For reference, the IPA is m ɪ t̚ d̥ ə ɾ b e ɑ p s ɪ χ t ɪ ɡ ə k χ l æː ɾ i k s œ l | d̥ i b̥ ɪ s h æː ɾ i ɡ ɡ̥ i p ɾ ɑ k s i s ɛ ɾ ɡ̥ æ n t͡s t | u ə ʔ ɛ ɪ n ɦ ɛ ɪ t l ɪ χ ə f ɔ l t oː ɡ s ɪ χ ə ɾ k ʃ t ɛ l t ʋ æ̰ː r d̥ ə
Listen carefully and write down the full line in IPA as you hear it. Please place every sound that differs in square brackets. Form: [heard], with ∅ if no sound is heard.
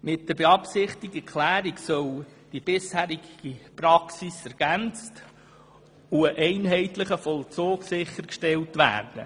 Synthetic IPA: m ɪ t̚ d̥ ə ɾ b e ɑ p s ɪ χ t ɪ ɡ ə k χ l æː ɾ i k s œ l | d̥ i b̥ ɪ s h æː ɾ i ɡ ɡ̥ i p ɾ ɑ k s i s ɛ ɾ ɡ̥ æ n t͡s t | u ə ʔ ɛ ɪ n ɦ ɛ ɪ t l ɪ χ ə f ɔ l [t͡s] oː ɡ s ɪ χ ə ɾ k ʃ t ɛ l t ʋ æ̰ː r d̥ ə